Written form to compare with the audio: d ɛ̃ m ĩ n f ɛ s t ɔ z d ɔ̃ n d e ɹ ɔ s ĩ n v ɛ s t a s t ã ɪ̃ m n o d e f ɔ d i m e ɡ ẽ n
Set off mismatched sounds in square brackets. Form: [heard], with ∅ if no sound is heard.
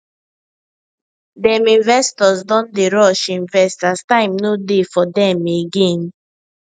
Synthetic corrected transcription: d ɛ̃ m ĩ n [v] ɛ s t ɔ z d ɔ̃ n d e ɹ ɔ [ʃ] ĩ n v ɛ s t a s t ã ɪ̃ m n o d e f ɔ d [ɛ] m e ɡ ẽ n